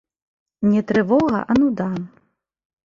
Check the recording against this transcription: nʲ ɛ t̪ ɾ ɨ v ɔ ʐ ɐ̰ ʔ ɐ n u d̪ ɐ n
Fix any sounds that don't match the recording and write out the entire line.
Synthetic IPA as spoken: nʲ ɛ t̪ ɾ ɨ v ɔ ɣ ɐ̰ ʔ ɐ n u d̪ a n